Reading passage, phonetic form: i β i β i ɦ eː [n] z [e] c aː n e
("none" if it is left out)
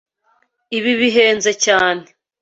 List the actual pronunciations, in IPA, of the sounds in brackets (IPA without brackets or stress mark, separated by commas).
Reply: n, e